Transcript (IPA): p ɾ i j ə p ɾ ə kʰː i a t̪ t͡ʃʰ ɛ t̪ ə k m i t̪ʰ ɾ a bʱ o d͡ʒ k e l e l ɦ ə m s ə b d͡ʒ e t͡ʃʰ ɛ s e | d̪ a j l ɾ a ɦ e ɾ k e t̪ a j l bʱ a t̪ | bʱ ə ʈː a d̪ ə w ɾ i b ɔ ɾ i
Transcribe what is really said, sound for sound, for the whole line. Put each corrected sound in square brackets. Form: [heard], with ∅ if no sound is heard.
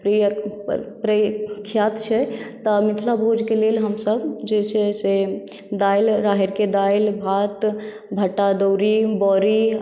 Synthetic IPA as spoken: p ɾ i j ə p ɾ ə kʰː [j] a t̪ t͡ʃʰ ɛ t̪ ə [∅] m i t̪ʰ [l] a bʱ o d͡ʒ k e l e l ɦ ə m s ə b d͡ʒ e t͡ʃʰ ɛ s e | d̪ a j l ɾ a ɦ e ɾ k e [d̪] a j l bʱ a t̪ | bʱ ə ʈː a d̪ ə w ɾ i b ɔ ɾ i